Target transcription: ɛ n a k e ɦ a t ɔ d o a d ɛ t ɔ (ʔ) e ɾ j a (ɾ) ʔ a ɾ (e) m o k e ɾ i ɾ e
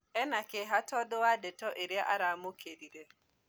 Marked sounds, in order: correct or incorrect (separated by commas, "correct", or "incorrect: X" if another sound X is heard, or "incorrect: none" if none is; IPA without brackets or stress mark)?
correct, incorrect: none, incorrect: a